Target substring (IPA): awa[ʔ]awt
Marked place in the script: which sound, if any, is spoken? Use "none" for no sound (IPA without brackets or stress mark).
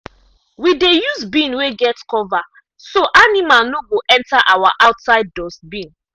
ʔ